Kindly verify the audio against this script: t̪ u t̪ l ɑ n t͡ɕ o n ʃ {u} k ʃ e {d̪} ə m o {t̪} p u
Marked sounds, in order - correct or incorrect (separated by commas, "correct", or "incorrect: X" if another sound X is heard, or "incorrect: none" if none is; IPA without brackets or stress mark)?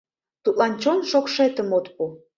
incorrect: o, incorrect: t̪, correct